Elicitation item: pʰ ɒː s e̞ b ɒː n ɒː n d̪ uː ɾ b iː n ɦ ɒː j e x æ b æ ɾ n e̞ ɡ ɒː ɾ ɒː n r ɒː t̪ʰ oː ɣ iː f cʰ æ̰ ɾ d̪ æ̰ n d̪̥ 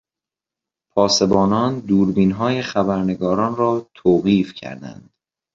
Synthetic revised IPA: pʰ ɒː s e̞ b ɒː n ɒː n d̪ uː ɾ b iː n ɦ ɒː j e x æ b æ ɾ n e̞ ɡ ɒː ɾ ɒː n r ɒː t̪ʰ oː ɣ iː f cʰ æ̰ ɾ d̪ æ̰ n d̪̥